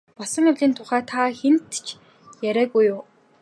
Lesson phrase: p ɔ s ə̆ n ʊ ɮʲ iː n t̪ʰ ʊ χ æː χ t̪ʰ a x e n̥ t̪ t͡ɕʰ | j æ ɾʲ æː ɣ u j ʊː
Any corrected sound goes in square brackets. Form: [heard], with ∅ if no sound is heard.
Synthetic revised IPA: p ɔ s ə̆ [ŋ] ʊ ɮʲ iː n t̪ʰ ʊ χ æː [∅] t̪ʰ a x e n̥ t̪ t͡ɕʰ | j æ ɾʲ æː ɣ u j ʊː